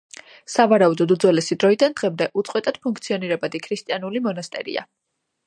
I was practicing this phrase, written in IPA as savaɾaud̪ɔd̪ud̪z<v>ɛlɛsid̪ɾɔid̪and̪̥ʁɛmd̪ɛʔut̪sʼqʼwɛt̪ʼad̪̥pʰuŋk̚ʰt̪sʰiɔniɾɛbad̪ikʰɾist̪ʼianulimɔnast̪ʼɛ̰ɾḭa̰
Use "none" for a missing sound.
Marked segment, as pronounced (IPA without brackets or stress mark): w